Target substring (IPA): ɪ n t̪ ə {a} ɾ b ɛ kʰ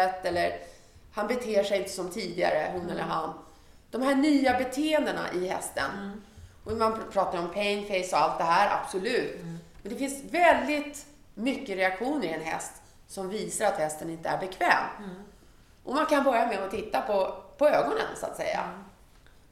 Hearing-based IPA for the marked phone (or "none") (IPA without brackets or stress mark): æ